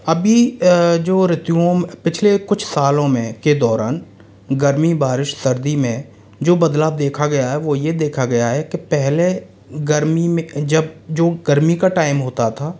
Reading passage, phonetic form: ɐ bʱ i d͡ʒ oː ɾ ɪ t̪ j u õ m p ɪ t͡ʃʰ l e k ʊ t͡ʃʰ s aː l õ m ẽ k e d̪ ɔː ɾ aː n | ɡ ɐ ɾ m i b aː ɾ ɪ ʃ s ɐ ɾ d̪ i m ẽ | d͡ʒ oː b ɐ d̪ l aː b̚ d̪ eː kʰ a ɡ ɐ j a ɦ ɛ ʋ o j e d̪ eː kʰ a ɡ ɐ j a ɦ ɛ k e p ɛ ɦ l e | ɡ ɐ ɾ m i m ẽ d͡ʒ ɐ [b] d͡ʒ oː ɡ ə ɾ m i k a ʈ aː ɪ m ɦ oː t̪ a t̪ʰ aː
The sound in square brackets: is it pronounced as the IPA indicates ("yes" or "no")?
yes